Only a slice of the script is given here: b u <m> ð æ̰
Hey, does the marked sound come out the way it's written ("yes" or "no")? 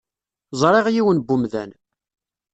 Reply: yes